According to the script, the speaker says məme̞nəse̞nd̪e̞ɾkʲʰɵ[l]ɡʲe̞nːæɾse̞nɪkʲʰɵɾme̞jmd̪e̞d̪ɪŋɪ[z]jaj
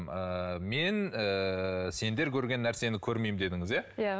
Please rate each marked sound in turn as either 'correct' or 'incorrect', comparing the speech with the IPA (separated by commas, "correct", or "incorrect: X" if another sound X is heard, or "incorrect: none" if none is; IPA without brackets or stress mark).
incorrect: ɾ, correct